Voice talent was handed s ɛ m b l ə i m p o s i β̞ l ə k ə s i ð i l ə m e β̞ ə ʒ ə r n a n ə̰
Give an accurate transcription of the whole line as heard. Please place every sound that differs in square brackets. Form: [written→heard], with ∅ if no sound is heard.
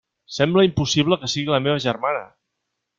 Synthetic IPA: s ɛ m b l ə i m p [o→u] s i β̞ l ə k ə s i [ð→ɣ] i l ə m e β̞ ə ʒ ə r [n→m] a n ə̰